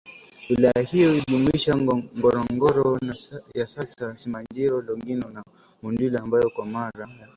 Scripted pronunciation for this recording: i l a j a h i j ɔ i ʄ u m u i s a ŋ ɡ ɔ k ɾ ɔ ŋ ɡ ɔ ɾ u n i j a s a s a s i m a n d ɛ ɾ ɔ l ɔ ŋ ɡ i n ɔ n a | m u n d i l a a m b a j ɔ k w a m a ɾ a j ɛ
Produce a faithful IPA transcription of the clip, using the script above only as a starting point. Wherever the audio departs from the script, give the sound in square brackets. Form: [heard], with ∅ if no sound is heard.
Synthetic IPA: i l a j a h i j ɔ i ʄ u m u i [ʃ] a ŋ ɡ ɔ [∅] ɾ ɔ ŋ ɡ ɔ ɾ [ɔ] n [a] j a s a s a s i m a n [d͡ʒ] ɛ ɾ ɔ l ɔ ŋ ɡ i n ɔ n a | m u n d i l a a m b a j ɔ k w a m a ɾ a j [a]